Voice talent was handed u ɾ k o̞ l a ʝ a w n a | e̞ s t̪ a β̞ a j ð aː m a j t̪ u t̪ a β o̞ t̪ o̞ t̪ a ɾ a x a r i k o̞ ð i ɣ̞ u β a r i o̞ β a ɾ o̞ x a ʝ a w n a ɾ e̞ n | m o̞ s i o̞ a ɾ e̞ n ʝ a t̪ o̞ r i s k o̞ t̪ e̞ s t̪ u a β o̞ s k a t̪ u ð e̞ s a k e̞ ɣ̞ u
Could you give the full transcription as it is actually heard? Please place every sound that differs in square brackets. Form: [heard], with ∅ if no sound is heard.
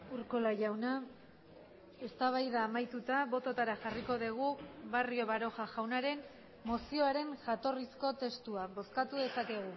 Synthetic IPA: u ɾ k o̞ l a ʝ a w n a | e̞ s t̪ a β̞ a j ð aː m a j t̪ u t̪ a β o̞ t̪ o̞ t̪ a ɾ a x a r i k o̞ ð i ɣ̞ u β a r i o̞ β a ɾ o̞ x a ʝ a w n a ɾ e̞ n | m o̞ s i o̞ a ɾ e̞ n ʝ a t̪ o̞ r i s k o̞ t̪ e̞ s t̪ u a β o̞ s k a t̪ u ð e̞ s a k e̞ ɣ̞ u